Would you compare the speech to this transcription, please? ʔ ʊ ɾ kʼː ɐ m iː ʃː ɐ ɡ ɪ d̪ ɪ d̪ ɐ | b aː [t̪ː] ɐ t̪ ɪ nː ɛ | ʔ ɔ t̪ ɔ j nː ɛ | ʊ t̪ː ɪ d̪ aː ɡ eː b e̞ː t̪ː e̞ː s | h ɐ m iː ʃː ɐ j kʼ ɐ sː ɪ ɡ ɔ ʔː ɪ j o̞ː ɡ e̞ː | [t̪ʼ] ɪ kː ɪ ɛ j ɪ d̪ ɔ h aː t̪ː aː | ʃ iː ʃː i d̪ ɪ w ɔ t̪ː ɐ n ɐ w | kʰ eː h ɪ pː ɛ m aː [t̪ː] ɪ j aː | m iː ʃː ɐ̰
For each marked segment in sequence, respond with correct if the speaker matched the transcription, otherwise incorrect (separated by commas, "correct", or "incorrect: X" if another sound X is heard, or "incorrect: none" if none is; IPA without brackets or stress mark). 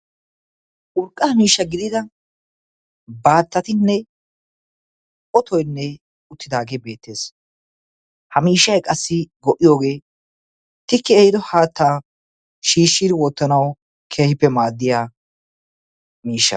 correct, incorrect: t̪, incorrect: d̪ː